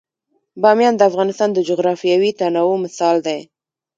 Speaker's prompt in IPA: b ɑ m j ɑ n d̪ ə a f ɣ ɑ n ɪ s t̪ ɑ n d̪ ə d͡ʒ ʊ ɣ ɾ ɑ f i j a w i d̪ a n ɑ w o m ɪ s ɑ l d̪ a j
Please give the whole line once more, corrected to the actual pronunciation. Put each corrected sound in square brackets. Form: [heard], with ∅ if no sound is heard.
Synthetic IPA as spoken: b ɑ m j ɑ n d̪ ə a f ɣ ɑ n ɪ s t̪ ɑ n d̪ ə d͡ʒ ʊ ɣ ɾ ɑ f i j a w i [t̪] a n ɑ w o m ɪ s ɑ l d̪ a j